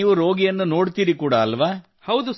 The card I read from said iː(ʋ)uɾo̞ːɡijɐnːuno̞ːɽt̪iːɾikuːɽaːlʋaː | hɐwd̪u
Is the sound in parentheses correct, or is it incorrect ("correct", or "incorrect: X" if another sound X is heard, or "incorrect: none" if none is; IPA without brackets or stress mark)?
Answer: correct